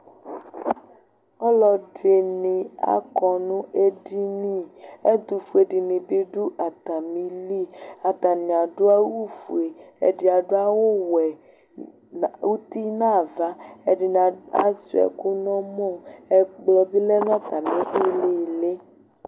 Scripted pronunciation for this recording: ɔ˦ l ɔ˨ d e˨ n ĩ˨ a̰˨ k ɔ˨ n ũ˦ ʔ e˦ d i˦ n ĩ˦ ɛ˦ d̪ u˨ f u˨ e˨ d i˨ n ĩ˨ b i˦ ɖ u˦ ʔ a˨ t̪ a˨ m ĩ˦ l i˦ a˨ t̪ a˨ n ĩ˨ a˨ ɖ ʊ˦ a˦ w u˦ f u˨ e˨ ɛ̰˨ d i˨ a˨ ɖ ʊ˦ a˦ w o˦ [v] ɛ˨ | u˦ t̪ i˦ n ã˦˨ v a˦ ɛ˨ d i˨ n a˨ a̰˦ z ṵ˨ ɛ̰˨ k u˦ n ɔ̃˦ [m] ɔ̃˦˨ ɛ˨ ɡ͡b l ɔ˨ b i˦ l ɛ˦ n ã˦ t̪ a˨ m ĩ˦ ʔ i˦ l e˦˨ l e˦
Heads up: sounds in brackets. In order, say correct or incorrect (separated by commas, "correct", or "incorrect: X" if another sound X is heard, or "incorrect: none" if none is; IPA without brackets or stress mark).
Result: incorrect: w, correct